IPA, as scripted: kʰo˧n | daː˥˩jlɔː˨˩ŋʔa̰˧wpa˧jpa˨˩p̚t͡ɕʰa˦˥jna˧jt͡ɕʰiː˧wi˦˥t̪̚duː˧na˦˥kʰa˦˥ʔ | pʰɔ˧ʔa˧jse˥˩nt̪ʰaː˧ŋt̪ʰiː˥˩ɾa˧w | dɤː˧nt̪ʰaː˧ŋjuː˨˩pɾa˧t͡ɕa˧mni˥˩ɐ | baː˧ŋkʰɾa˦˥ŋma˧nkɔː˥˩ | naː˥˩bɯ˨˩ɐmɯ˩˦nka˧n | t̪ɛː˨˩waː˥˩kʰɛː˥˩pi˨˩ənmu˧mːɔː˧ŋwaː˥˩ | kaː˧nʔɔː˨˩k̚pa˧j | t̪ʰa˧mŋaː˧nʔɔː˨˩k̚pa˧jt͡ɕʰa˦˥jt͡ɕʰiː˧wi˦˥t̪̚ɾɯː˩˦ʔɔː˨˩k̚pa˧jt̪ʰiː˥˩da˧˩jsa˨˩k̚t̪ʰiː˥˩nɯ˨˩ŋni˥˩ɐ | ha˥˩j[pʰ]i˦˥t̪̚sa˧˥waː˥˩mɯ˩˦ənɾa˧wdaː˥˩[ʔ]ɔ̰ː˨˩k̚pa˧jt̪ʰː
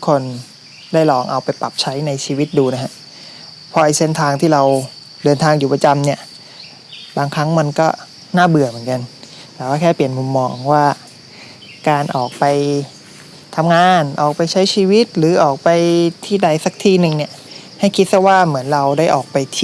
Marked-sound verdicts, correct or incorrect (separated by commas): incorrect, correct